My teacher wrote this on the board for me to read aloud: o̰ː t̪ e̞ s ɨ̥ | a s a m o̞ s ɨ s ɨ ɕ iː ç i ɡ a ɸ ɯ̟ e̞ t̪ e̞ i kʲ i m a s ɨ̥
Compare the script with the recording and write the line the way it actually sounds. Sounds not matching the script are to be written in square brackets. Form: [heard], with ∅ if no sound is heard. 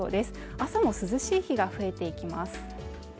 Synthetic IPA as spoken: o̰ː [d̪] e̞ s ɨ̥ | a s a m o̞ s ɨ [z] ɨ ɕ iː ç i ɡ a ɸ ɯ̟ e̞ t̪ e̞ i kʲ i m a s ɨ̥

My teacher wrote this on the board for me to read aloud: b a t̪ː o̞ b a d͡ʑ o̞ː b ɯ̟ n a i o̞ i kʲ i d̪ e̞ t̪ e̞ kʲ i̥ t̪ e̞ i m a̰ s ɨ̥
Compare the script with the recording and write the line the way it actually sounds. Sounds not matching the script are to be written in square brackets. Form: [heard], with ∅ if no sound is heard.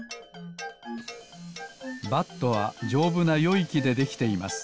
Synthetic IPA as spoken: b a t̪ː o̞ [β] a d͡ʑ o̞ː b ɯ̟ n a [j] o̞ i kʲ i d̪ e̞ [d̪] e̞ kʲ i̥ t̪ e̞ i m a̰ s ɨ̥

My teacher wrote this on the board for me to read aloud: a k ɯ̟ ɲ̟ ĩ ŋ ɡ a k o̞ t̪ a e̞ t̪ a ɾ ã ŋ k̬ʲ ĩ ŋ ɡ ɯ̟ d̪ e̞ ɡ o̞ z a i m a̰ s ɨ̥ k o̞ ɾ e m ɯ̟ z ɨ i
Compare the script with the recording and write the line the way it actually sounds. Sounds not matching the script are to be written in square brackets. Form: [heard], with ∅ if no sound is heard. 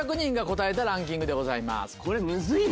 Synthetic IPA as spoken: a k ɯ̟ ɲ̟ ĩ ŋ ɡ a k o̞ t̪ a e̞ t̪ a ɾ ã ŋ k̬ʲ ĩ ŋ ɡ ɯ̟ d̪ e̞ ɡ o̞ z a i m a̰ s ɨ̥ k o̞ ɾ e m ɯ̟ z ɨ i

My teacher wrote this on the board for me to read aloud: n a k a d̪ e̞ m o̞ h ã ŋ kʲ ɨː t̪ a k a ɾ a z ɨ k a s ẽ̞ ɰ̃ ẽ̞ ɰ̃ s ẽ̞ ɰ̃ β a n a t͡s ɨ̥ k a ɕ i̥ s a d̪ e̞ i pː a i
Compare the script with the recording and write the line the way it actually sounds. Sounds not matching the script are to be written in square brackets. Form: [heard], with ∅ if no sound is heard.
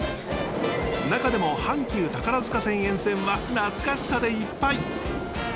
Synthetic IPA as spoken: n a k a d̪ e̞ m o̞ h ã ŋ kʲ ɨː t̪ a k a ɾ a z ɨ k a s ẽ̞ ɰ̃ ẽ̞ ɰ̃ s ẽ̞ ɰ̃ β a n a t͡s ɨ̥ k a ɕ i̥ s a d̪ e̞ i pː a i

